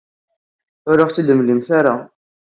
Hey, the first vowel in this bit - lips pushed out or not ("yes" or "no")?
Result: yes